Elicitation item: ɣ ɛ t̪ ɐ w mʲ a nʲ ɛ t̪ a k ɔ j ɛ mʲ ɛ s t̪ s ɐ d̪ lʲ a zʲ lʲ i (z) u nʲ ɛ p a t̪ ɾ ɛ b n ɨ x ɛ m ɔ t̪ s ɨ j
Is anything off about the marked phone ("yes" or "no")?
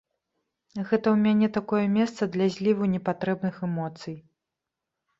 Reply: yes